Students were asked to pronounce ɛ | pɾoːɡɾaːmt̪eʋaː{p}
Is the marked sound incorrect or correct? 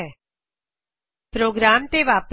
correct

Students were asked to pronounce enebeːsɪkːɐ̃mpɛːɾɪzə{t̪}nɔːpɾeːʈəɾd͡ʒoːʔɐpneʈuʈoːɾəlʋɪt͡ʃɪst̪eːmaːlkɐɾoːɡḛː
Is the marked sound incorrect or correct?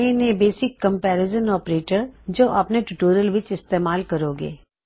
incorrect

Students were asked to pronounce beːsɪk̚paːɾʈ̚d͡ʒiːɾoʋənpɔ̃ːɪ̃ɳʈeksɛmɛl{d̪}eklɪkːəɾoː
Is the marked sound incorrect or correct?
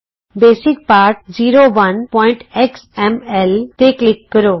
incorrect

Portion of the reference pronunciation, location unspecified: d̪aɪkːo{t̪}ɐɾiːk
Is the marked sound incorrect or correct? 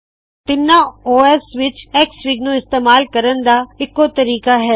correct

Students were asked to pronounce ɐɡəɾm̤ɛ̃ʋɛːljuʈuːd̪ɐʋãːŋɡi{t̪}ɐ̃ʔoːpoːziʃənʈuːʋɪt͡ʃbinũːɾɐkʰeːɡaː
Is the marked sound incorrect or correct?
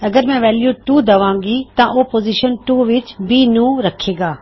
correct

